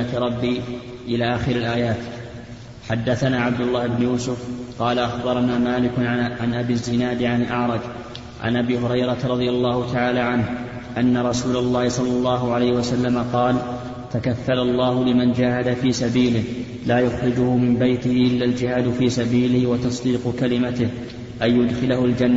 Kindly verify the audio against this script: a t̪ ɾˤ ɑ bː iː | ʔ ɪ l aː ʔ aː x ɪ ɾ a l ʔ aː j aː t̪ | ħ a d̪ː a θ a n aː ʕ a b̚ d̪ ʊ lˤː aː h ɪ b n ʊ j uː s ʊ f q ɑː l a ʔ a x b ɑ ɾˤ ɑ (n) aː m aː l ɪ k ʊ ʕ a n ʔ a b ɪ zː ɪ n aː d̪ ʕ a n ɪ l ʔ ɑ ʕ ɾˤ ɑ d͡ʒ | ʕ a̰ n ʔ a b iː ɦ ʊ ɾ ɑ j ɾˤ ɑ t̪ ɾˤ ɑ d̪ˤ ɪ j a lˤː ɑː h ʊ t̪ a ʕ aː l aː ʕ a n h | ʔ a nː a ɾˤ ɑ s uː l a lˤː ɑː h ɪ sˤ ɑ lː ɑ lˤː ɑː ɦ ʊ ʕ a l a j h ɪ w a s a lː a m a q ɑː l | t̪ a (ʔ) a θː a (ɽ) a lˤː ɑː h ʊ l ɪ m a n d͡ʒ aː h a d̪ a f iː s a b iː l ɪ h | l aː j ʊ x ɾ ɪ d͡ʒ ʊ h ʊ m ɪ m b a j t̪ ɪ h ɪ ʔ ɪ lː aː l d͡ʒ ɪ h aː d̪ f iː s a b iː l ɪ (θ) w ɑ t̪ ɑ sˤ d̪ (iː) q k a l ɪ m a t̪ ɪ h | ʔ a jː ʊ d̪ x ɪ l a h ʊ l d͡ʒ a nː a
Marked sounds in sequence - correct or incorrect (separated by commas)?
correct, incorrect, incorrect, incorrect, correct